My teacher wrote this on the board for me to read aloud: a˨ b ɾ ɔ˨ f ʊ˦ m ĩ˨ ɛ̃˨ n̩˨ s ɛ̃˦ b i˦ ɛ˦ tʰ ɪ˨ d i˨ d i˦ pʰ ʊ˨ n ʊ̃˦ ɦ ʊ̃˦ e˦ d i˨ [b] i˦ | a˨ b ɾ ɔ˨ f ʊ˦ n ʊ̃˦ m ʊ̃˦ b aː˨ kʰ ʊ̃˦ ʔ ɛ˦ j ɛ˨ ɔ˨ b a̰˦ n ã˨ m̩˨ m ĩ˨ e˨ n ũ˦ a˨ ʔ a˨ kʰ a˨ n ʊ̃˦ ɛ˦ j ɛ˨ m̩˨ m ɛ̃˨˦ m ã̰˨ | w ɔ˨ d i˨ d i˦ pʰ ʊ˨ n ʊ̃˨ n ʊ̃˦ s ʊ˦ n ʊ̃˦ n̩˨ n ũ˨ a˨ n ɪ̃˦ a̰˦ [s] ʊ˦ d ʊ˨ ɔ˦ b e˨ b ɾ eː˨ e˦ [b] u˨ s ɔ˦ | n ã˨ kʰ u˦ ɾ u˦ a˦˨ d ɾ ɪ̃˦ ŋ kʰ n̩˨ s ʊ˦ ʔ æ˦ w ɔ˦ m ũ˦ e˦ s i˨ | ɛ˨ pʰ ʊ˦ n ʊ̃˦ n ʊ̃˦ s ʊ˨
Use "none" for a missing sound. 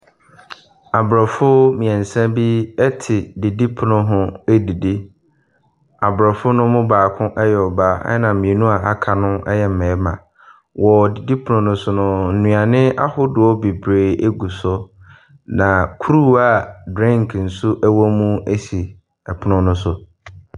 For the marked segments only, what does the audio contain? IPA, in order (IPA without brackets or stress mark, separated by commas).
d, h, ɡ